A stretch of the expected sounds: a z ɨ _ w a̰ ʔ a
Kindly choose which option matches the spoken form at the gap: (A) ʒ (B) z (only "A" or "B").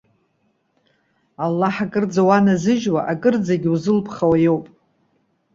A